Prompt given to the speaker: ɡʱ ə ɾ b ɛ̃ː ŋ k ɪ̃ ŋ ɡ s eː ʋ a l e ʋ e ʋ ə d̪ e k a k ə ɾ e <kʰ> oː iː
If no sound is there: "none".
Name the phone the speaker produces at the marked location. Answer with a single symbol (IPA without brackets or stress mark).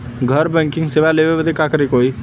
k